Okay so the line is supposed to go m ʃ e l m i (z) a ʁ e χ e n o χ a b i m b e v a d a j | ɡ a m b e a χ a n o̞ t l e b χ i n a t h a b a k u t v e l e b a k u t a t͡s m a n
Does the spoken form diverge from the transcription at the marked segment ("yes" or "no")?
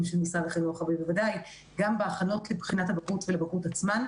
yes